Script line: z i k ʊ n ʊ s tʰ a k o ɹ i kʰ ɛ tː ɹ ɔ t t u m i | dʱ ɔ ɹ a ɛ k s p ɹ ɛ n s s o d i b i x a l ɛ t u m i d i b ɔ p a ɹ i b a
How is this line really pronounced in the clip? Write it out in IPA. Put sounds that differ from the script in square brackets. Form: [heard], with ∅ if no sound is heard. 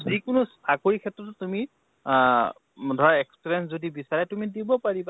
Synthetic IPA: z i k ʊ n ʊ s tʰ a k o ɹ i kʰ ɛ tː ɹ ɔ t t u m i | dʱ ɔ ɹ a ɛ k s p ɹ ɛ n s [z] o d i b i [s] a [ɹ] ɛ t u m i d i b ɔ p a ɹ i b a